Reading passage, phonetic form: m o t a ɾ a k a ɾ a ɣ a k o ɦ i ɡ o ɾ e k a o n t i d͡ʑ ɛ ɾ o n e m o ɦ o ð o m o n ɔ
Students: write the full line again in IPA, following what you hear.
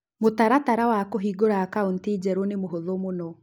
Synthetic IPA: m o t a ɾ a t a ɾ a w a k o ɦ i ɡ o ɾ a k a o n t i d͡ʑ ɛ ɾ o n e m o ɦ o ð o m o n ɔ